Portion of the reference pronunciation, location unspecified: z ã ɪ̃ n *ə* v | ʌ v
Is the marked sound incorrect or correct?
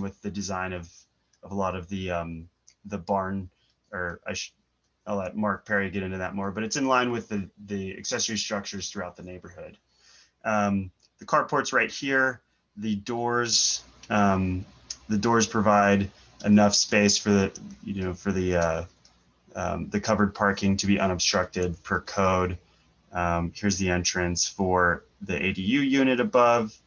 incorrect